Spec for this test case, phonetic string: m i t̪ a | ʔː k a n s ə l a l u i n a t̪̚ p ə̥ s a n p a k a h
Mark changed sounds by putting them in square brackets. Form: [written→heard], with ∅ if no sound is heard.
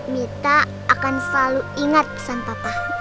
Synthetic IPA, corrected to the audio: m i t̪ a | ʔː k a n s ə l a l u i [n→ŋ] a t̪̚ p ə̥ s a n p a [k→p] a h